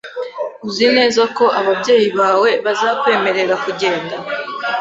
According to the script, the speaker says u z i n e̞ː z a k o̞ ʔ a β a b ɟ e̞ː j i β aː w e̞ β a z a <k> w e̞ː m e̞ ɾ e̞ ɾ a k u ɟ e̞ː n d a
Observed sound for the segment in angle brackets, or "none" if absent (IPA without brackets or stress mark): k